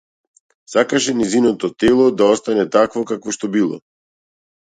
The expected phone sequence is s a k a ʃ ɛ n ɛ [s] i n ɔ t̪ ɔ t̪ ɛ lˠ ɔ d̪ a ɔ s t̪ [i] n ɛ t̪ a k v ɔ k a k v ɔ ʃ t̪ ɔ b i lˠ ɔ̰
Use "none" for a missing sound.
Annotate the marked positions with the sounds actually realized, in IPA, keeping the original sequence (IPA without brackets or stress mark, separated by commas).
z, a